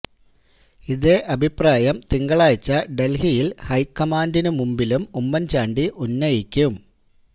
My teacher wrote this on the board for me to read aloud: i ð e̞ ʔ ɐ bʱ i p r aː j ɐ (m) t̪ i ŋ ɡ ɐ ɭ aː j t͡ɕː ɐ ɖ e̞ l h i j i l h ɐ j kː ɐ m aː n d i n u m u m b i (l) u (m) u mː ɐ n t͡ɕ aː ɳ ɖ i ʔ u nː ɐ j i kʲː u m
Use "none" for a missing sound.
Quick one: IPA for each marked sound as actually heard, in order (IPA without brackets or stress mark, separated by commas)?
m, l, m